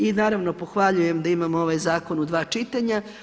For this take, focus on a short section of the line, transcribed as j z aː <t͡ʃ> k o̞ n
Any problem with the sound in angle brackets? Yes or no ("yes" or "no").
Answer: yes